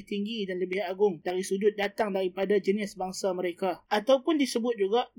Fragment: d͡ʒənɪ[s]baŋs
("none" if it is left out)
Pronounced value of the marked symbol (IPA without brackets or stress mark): s